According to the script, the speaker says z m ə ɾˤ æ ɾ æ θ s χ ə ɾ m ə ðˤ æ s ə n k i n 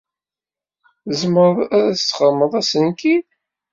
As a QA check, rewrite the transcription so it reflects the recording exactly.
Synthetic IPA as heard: z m ə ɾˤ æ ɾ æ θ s χ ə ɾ m ə ðˤ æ s ə n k i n